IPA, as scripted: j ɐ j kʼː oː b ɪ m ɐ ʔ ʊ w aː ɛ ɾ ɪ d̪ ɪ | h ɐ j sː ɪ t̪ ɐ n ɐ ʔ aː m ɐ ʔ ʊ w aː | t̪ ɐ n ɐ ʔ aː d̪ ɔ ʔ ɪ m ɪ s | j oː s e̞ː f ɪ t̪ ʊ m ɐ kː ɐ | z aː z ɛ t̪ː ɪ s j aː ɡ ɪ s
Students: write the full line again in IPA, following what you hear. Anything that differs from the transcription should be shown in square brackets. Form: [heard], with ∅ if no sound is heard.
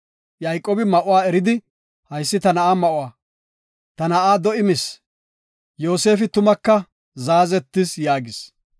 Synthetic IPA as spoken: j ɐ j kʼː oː b ɪ m ɐ ʔ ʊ w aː ɛ ɾ ɪ d̪ ɪ | h ɐ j sː ɪ t̪ ɐ n ɐ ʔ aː m ɐ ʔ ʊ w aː | t̪ ɐ n ɐ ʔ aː d̪ ɔ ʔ ɪ m ɪ s | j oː s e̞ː f ɪ t̪ ʊ m ɐ kː ɐ | z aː z ɛ t̪ː ɪ s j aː ɡ ɪ s